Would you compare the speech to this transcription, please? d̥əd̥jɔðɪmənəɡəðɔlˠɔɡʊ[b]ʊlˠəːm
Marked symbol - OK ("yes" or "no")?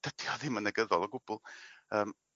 yes